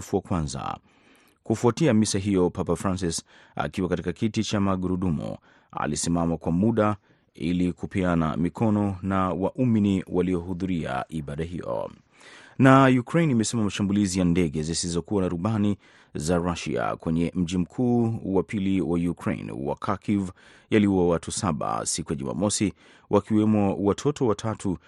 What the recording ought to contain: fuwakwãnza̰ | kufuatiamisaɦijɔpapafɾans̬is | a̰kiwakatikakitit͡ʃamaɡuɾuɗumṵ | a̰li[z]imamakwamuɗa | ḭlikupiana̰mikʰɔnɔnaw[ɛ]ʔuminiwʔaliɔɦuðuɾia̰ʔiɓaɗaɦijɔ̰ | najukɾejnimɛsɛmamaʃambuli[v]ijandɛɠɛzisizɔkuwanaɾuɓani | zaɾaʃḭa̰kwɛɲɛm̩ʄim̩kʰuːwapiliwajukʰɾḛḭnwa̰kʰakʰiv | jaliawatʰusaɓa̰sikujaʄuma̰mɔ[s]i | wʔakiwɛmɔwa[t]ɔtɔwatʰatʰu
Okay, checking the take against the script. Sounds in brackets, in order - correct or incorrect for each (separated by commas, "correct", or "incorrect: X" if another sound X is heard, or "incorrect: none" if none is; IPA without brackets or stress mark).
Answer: incorrect: s, incorrect: a, incorrect: z, correct, incorrect: tʰ